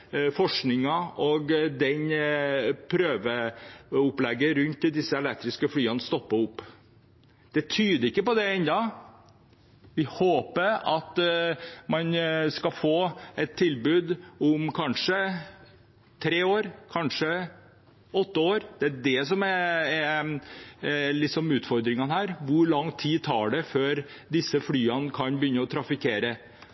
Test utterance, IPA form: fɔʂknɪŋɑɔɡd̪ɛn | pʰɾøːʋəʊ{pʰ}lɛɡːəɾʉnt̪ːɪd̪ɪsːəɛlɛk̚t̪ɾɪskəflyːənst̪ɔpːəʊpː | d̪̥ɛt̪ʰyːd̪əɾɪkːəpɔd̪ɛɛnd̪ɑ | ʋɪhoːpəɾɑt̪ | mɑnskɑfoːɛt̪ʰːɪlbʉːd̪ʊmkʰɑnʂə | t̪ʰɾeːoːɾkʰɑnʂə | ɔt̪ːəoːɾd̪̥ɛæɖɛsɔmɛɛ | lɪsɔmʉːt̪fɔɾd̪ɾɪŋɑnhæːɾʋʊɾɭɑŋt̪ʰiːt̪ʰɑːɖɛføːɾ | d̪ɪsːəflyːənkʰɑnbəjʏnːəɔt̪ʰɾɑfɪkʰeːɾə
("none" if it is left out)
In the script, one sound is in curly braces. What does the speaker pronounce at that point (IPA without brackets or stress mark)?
p